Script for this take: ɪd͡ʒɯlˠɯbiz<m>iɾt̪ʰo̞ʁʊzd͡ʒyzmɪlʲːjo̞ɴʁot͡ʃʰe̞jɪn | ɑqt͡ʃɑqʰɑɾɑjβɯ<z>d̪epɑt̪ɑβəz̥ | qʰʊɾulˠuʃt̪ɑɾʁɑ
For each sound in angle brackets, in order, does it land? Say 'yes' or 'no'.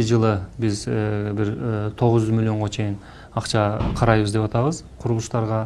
no, yes

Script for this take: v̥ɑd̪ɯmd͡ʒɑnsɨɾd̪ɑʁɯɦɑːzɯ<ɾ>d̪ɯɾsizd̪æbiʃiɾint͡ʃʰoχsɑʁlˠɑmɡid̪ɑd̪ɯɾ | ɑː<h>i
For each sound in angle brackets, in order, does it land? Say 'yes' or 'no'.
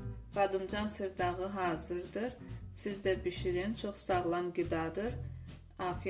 yes, no

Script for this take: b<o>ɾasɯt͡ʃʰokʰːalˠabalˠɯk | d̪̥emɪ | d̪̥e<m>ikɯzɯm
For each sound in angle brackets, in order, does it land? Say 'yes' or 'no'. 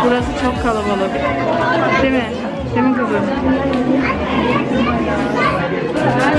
no, yes

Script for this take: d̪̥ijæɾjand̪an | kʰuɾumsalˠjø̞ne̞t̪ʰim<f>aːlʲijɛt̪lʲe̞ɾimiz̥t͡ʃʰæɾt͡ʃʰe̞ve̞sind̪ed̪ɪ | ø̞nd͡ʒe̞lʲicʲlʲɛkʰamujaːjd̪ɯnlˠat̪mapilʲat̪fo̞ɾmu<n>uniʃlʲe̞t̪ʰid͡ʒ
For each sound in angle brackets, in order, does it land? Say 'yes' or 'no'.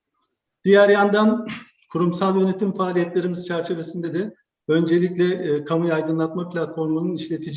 yes, yes

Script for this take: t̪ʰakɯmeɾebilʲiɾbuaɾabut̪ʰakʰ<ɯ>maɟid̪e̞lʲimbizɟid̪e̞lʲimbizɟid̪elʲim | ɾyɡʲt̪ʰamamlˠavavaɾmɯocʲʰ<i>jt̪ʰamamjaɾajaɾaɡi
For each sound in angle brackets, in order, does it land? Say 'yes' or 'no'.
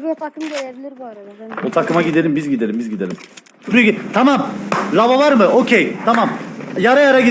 yes, no

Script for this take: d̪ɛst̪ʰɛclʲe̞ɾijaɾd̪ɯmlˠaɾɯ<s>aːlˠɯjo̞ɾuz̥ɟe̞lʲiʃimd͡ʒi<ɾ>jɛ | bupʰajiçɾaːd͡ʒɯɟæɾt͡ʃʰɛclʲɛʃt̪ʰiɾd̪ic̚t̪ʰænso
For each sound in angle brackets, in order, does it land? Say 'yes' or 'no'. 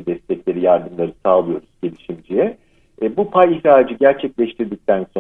yes, no

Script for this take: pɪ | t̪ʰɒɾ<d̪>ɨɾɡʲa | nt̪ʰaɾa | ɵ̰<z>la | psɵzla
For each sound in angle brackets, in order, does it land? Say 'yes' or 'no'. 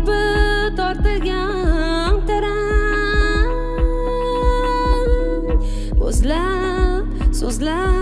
no, yes

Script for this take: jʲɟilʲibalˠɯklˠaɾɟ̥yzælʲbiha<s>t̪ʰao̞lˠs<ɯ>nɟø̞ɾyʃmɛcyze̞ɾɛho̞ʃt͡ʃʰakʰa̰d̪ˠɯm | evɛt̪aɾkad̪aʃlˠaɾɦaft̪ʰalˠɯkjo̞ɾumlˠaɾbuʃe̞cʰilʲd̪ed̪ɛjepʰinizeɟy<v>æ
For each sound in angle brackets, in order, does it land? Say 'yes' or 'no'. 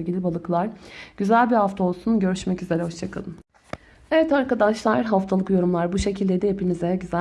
no, no, no

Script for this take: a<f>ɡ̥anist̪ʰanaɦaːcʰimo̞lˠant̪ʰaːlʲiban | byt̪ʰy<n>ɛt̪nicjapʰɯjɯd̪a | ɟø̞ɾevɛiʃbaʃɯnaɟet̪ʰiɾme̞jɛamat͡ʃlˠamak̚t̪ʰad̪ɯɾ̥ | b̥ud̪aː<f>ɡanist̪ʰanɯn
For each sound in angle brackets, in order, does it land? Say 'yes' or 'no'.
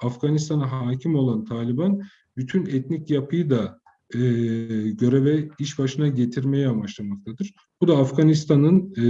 yes, yes, yes

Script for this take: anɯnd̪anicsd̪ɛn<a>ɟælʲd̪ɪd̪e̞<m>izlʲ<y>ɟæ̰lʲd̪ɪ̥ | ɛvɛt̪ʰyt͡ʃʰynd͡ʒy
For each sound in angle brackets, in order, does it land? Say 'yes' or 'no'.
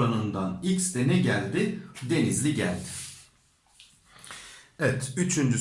no, no, no

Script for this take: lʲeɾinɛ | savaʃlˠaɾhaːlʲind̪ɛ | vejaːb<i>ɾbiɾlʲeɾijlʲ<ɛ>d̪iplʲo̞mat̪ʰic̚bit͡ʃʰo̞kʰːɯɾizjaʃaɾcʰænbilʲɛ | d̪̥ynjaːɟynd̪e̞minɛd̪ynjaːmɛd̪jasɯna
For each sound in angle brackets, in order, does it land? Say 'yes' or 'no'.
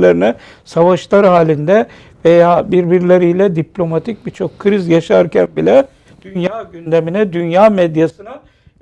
yes, yes

